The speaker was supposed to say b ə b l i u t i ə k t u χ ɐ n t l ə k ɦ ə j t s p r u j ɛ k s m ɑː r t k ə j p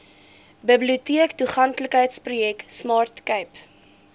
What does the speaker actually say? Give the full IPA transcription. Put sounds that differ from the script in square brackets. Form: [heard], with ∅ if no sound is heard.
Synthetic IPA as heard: b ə b l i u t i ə k t u χ ɐ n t l ə k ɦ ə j t s p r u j ɛ k s m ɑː r t k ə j p